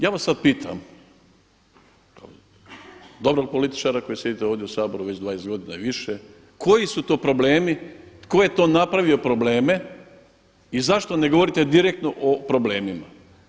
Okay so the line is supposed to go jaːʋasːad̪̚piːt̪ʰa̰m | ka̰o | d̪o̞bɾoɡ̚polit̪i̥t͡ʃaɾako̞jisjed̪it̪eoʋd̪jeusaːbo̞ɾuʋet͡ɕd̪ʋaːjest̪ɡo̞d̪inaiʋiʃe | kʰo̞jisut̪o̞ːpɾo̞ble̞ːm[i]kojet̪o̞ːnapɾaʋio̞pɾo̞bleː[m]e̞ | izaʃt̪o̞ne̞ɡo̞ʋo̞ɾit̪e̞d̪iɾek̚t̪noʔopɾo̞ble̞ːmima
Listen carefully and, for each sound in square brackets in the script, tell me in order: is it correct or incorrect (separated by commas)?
correct, correct